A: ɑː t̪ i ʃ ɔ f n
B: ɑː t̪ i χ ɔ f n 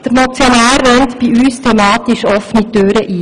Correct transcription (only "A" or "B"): A